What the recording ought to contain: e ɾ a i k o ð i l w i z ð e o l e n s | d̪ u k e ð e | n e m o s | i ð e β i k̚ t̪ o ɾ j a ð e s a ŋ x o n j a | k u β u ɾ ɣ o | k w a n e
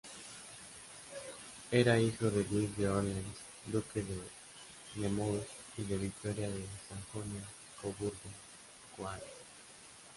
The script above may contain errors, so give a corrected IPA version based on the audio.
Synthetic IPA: e ɾ a i x o ð e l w i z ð e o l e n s | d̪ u k e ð e | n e m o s | i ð e β i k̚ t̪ o ɾ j a ð e s a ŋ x o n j a | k o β u ɾ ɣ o | k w a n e

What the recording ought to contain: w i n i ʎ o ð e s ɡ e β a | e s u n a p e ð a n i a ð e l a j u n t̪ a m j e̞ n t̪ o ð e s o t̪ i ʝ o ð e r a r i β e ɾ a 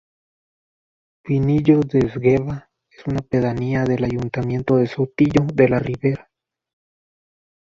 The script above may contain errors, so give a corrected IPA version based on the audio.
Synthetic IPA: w i n i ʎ o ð e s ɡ e β a | e s u n a p e ð a n i a ð e l a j u n t̪ a m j e̞ n t̪ o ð e s o t̪ i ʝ o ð e l a r i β e ɾ a

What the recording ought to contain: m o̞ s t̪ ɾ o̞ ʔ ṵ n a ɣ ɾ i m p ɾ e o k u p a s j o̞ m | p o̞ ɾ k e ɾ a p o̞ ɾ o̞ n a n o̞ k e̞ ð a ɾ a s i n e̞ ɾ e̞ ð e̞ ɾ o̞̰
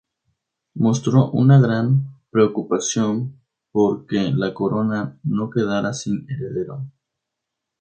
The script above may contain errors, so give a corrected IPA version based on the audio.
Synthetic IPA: m o̞ s t̪ ɾ o̞ ʔ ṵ n a ɣ ɾ a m p ɾ e o k u p a s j o̞ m | p o̞ ɾ k e l a k o̞ ɾ o̞ n a n o̞ k e̞ ð a ɾ a s i n e̞ ɾ e̞ ð e̞ ɾ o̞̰

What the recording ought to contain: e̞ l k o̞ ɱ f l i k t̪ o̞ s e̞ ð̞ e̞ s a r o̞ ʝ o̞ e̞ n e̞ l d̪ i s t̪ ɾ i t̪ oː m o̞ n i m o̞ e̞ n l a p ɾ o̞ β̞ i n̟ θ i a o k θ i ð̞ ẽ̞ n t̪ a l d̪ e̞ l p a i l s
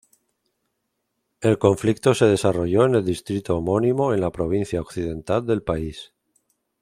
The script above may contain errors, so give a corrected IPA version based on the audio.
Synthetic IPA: e̞ l k o̞ ɱ f l i k t̪ o̞ s e̞ ð̞ e̞ s a r o̞ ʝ o̞ e̞ n e̞ l d̪ i s t̪ ɾ i t̪ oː m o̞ n i m o̞ e̞ n l a p ɾ o̞ β̞ i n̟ θ j a o k θ i ð̞ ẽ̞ n t̪ a l d̪ e̞ l p a i s

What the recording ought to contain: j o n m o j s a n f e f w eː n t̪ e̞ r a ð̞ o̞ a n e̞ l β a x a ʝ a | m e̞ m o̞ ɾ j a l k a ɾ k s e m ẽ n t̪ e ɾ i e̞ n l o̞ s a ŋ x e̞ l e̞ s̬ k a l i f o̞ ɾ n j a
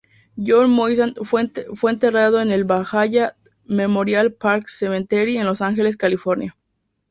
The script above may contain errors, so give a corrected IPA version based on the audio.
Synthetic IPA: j o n m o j s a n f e f w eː n t̪ e̞ r a ð̞ o̞ e n e̞ l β a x a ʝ a | m e̞ m o̞ ɾ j a l p a ɾ k s e m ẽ n t̪ e ɾ i e̞ n l o̞ s a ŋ x e̞ l e̞ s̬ k a l i f o̞ ɾ n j a

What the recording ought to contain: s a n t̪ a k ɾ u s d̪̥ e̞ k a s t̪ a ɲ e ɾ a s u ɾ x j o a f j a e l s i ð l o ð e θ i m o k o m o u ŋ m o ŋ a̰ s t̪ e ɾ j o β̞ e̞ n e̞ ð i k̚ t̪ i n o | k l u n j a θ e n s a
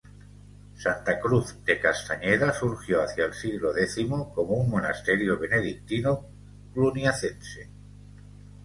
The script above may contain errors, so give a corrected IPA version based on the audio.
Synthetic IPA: s a n t̪ a k ɾ u θ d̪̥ e̞ k a s t̪ a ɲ e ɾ a s u ɾ x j o a θ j a e l s i ɣ l o ð e θ i m o k o m o u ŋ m o n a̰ s t̪ e ɾ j o β̞ e̞ n e̞ ð i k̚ t̪ i n o | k l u n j a θ e n s e

